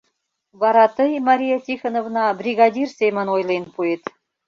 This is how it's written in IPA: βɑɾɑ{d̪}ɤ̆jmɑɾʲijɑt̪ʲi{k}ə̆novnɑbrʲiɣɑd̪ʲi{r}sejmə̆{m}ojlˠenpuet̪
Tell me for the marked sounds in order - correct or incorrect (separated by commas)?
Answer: incorrect, incorrect, correct, incorrect